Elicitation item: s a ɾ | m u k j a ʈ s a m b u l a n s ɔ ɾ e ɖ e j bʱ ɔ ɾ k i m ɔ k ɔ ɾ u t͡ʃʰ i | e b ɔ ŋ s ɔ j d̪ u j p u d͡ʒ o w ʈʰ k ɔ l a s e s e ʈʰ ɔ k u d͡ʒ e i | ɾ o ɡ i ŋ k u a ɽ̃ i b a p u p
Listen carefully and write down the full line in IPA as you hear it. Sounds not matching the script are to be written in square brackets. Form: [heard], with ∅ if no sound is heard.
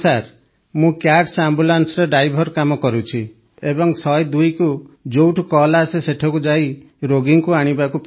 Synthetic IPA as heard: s a ɾ | m [ũ] k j a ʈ s a m b u l a n s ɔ ɾ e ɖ [a] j bʱ ɔ ɾ k [a] m ɔ k ɔ ɾ u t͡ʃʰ i | e b ɔ ŋ s ɔ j d̪ u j [k] u d͡ʒ o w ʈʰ k ɔ l a s e s e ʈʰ ɔ k u d͡ʒ [a] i | ɾ o ɡ i ŋ k u a ɽ̃ i b a [k] u p